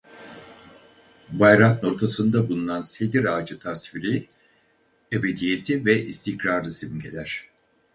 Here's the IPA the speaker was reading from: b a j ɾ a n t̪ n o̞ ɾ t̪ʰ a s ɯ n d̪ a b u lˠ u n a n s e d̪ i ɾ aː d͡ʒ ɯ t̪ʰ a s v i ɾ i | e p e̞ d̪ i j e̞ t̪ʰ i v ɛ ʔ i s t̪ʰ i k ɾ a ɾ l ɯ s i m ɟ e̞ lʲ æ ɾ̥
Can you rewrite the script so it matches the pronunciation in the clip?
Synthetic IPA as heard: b a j ɾ a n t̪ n o̞ ɾ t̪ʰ a s ɯ n d̪ a b u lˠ u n a n s e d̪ i ɾ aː d͡ʒ ɯ t̪ʰ a s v i ɾ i | e b e̞ d̪ i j e̞ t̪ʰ i v ɛ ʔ i s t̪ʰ i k ɾ a ɾ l ɯ s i m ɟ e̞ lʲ æ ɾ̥

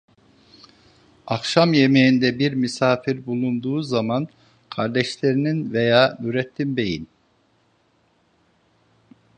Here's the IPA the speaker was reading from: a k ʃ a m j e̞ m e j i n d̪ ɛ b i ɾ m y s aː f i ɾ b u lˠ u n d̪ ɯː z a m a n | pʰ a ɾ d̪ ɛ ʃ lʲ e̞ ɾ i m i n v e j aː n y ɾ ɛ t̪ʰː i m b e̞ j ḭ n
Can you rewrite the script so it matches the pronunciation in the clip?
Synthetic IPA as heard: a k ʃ a m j e̞ m e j i n d̪ ɛ b i ɾ m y s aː f i ɾ b u lˠ u n d̪ uː z a m a n | kʰ a ɾ d̪ ɛ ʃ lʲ e̞ ɾ i n i n v e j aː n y ɾ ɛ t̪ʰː i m b e̞ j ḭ n

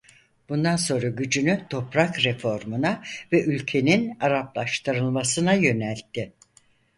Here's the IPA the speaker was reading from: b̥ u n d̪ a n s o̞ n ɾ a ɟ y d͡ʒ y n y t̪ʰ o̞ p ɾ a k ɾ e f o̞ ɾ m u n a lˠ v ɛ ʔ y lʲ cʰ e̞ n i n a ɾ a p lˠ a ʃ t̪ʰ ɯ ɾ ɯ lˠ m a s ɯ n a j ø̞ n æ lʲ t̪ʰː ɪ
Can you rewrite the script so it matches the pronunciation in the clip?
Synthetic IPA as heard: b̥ u n d̪ a n s o̞ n ɾ a ɟ y d͡ʒ y n y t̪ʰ o̞ p ɾ a k ɾ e f o̞ ɾ m u n a v ɛ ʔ y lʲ cʰ e̞ n i n a ɾ a p lˠ a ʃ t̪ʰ ɯ ɾ ɯ lˠ m a s ɯ n a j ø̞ n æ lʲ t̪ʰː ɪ

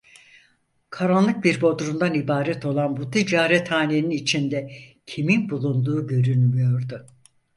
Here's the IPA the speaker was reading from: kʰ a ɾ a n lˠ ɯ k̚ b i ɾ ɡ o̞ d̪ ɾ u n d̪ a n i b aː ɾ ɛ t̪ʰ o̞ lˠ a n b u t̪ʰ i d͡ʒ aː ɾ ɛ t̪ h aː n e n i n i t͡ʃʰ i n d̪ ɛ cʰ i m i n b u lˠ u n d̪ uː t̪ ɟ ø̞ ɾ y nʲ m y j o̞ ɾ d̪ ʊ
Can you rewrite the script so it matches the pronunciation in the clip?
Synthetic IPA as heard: kʰ a ɾ a n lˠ ɯ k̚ b i ɾ b o̞ d̪ ɾ u n d̪ a n i b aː ɾ ɛ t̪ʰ o̞ lˠ a n b u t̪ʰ i d͡ʒ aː ɾ ɛ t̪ h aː n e n i n i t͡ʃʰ i n d̪ ɛ cʰ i m i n b u lˠ u n d̪ uː ɟ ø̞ ɾ y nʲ m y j o̞ ɾ d̪ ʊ

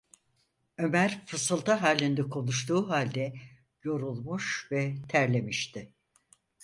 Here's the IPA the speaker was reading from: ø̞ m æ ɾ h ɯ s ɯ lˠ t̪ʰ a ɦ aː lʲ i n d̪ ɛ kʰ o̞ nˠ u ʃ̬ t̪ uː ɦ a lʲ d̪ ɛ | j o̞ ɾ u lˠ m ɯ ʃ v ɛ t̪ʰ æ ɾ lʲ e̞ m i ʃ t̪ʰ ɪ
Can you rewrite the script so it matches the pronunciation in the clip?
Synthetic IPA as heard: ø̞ m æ ɾ f ɯ s ɯ lˠ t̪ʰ a ɦ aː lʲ i n d̪ ɛ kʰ o̞ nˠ u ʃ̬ t̪ uː ɦ a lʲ d̪ ɛ | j o̞ ɾ u lˠ m u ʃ v ɛ t̪ʰ æ ɾ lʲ e̞ m i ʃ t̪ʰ ɪ

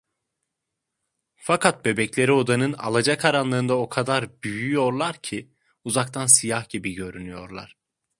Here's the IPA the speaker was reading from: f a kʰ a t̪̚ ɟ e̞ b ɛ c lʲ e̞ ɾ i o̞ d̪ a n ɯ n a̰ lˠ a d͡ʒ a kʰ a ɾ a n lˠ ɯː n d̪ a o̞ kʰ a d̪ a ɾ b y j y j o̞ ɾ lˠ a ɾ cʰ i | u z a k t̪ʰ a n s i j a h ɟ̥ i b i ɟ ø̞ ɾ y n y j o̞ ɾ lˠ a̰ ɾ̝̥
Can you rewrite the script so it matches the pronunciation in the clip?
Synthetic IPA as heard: f a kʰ a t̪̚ b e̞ b ɛ c lʲ e̞ ɾ i o̞ d̪ a n ɯ n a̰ lˠ a d͡ʒ a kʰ a ɾ a n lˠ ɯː n d̪ a o̞ kʰ a d̪ a ɾ b y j y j o̞ ɾ lˠ a ɾ cʰ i | u z a k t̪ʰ a n s i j a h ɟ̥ i b i ɟ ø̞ ɾ y n y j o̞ ɾ lˠ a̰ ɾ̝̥

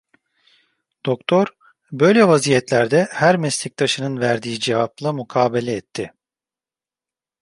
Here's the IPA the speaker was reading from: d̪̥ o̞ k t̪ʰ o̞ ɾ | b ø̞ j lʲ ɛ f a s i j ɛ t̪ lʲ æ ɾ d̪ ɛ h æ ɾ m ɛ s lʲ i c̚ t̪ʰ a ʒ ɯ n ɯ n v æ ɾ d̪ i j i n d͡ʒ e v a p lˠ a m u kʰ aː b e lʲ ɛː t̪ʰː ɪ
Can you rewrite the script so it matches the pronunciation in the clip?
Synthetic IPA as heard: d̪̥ o̞ k t̪ʰ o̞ ɾ | b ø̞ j lʲ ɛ v a z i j ɛ t̪ lʲ æ ɾ d̪ ɛ h æ ɾ m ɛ s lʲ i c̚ t̪ʰ a ʃ ɯ n ɯ n v æ ɾ d̪ i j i d͡ʒ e v a p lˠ a m u kʰ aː b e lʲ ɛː t̪ʰː ɪ

